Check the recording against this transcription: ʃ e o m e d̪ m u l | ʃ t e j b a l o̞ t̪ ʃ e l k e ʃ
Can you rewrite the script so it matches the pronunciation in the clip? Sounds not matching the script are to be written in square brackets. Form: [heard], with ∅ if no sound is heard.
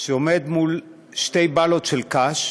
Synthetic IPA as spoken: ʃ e o m e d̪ m u l | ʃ t e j b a l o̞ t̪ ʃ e l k [a] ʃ